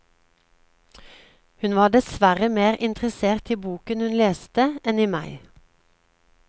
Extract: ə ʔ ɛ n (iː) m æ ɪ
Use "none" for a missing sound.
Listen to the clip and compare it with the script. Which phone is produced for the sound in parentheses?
iː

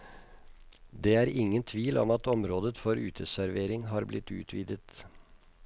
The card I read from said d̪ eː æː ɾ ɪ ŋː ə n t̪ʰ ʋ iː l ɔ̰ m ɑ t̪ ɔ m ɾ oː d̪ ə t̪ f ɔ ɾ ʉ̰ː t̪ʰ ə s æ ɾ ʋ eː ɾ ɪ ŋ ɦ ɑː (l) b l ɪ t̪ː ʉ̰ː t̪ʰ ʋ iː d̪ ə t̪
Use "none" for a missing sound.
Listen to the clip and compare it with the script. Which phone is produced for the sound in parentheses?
ɾ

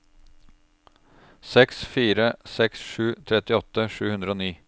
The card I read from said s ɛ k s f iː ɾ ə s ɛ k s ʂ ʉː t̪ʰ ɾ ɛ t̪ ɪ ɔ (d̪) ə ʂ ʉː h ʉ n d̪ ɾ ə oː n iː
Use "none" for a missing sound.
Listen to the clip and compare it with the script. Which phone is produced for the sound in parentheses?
t̪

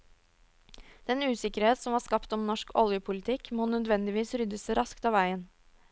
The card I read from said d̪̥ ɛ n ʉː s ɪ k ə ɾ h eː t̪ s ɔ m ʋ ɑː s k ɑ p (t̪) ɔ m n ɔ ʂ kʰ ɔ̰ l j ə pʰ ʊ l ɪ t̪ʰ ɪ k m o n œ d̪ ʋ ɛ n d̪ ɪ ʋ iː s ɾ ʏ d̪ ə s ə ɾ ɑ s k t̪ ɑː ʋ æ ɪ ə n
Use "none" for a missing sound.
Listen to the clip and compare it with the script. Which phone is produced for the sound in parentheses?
t̪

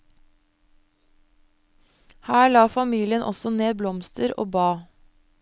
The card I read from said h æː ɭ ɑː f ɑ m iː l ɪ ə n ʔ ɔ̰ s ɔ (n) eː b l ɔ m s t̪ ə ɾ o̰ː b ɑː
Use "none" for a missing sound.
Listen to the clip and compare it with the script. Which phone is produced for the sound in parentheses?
n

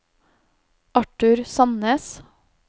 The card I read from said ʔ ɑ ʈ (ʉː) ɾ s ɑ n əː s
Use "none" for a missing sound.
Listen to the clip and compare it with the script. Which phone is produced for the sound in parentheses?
ʉ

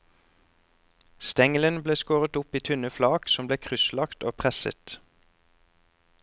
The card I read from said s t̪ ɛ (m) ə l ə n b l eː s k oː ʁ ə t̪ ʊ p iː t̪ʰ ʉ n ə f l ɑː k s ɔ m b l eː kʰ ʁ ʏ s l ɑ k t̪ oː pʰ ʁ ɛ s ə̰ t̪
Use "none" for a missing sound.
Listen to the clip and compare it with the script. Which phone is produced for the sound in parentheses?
ŋ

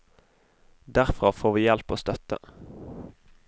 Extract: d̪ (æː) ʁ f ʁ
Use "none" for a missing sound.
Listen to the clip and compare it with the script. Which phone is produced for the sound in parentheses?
æ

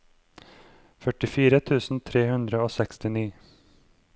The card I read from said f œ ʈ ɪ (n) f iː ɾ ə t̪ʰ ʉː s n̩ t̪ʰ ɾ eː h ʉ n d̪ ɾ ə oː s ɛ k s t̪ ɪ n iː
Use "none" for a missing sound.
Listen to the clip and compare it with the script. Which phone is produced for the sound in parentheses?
none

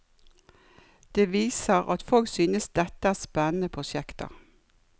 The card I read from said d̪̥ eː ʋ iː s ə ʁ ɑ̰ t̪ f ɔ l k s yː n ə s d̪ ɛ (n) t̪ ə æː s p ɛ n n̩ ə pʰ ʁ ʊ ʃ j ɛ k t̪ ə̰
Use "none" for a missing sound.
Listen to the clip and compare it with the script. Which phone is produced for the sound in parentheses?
none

